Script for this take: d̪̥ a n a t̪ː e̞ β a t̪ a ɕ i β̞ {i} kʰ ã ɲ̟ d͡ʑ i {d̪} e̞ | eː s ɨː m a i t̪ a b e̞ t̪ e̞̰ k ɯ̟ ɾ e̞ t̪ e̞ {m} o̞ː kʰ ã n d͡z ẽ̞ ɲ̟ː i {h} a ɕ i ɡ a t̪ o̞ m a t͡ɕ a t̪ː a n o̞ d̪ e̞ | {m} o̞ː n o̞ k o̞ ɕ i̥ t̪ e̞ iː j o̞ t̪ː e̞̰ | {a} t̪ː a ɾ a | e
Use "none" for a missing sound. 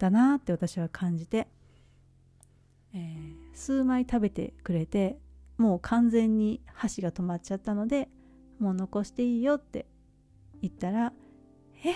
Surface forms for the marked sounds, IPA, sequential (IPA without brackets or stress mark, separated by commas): a, t̪, m, h, m, i